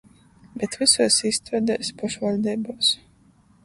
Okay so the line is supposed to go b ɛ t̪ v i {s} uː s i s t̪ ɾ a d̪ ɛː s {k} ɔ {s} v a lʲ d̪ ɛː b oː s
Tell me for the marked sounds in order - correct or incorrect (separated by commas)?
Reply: correct, incorrect, incorrect